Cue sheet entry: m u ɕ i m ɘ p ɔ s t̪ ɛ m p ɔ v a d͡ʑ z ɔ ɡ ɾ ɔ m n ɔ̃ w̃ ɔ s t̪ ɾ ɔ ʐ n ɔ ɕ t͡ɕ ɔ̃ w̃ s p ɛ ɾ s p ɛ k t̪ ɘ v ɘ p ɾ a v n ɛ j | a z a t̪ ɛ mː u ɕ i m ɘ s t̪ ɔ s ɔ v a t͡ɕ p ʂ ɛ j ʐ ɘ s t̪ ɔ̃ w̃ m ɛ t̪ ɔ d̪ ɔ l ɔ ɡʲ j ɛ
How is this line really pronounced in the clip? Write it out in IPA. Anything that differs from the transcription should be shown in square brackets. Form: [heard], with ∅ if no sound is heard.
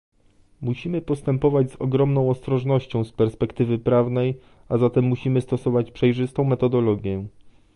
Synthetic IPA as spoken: m u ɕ i m ɘ p ɔ s t̪ ɛ m p ɔ v a d͡ʑ z ɔ ɡ ɾ ɔ m n ɔ̃ w̃ ɔ s t̪ ɾ ɔ ʐ n ɔ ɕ t͡ɕ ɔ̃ w̃ s p ɛ ɾ s p ɛ k t̪ ɘ v ɘ p ɾ a v n ɛ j | a z a t̪ ɛ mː u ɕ i m ɘ s t̪ ɔ s ɔ v a t͡ɕ p ʂ ɛ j ʐ ɘ s t̪ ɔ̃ w̃ m ɛ t̪ ɔ d̪ ɔ l ɔ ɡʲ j ɛ